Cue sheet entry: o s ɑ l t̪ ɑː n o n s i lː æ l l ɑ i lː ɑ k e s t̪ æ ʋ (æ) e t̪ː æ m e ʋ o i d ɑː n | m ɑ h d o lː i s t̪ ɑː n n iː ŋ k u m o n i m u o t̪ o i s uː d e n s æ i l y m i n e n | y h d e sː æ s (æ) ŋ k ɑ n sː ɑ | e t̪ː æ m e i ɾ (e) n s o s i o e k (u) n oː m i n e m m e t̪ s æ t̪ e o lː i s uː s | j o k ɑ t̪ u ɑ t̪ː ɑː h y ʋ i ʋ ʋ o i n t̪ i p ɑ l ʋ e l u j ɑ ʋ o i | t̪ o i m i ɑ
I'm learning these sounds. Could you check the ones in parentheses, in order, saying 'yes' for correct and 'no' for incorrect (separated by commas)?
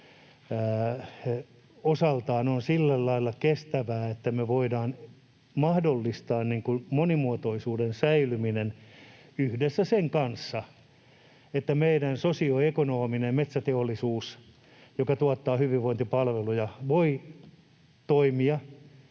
no, no, no, no